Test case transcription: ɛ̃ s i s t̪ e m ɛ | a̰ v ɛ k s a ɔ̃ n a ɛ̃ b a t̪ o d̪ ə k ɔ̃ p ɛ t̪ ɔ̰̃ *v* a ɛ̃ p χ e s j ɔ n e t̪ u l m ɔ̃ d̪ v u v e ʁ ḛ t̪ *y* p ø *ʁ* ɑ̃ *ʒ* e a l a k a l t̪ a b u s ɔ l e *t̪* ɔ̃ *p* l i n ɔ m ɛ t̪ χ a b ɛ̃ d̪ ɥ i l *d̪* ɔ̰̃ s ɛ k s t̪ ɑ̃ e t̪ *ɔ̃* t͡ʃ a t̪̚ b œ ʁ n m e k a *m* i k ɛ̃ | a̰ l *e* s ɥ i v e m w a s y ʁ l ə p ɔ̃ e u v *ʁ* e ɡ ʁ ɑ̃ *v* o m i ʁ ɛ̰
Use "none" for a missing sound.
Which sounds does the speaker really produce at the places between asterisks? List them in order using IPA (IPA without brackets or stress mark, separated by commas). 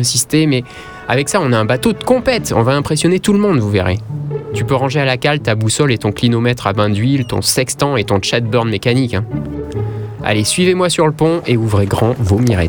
v, y, ʁ, ʒ, t̪, k, t̪, ɔ̃, n, e, ʁ, v